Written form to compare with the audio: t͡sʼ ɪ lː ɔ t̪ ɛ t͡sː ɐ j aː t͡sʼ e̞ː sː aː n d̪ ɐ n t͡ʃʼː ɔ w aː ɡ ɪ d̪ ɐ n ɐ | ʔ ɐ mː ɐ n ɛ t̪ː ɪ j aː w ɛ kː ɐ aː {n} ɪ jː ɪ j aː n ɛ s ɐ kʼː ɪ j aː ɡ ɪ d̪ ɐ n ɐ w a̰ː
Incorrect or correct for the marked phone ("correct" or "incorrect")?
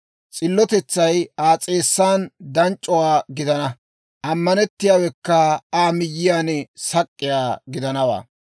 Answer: incorrect